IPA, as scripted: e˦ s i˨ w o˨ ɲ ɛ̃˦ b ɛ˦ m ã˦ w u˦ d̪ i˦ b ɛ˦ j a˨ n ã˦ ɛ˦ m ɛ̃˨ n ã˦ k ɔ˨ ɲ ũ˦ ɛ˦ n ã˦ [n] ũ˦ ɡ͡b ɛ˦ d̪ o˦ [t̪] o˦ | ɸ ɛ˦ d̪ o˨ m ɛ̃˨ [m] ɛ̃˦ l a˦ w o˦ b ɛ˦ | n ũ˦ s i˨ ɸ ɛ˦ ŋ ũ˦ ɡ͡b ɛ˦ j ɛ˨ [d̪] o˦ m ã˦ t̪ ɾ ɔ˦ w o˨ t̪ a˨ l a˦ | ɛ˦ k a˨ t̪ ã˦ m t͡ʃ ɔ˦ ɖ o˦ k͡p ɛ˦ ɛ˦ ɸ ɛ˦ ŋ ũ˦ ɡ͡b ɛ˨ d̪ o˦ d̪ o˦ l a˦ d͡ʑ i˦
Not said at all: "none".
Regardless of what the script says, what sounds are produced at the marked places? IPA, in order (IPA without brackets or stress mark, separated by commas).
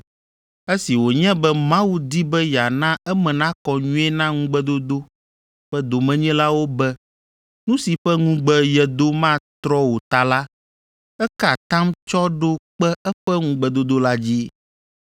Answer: ŋ, d̪, ɲ, d̪